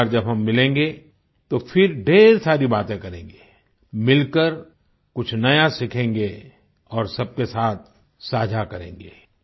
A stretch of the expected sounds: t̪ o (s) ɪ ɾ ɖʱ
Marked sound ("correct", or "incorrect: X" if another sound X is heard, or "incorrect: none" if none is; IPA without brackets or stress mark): incorrect: f